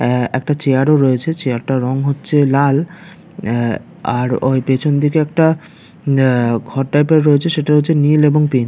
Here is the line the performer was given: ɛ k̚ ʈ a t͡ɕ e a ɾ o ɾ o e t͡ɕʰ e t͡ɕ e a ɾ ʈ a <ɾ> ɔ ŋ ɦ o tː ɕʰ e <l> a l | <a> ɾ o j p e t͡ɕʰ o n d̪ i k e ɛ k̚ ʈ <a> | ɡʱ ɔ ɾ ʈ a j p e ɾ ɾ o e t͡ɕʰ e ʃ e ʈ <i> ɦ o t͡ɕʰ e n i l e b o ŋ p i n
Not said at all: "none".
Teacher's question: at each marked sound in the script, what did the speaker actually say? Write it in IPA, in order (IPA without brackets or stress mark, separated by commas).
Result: ɾ, l, a, a, a